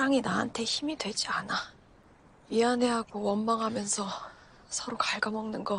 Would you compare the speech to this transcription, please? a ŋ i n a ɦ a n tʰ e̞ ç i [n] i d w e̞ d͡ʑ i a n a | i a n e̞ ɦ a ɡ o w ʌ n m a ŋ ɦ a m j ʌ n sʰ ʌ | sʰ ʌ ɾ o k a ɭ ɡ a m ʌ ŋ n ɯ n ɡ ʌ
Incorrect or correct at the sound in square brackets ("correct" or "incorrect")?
incorrect